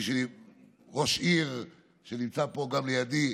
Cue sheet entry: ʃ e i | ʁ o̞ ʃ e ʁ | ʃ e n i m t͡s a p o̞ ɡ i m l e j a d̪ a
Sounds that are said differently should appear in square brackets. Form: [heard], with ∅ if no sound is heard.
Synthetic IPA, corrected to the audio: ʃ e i | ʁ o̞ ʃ [i] ʁ | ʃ e n i m t͡s a p o̞ ɡ [a] m l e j a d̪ [i]